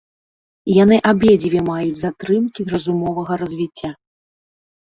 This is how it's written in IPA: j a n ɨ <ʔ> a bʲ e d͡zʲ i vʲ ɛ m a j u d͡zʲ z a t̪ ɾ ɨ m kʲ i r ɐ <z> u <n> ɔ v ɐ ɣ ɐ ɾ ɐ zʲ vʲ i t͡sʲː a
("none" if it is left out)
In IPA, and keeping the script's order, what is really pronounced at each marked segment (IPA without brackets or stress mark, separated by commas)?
ʔ, z, m